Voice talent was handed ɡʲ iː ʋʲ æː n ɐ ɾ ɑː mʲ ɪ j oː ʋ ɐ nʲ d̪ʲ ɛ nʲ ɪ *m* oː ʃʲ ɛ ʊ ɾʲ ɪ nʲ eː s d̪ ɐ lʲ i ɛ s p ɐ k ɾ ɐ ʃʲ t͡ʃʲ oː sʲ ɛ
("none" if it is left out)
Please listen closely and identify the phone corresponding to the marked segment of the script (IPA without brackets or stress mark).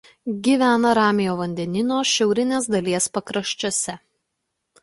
n